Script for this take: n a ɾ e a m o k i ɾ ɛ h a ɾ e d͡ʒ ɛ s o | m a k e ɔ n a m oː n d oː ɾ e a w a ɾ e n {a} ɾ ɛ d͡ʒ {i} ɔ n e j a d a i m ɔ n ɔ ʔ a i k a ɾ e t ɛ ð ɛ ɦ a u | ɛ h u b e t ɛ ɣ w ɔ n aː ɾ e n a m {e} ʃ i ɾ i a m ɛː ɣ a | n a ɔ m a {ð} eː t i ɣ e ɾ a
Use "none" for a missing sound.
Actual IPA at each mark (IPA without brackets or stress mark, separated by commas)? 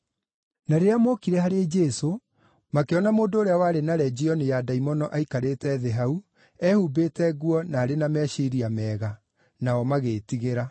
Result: a, i, ɛ, ɣ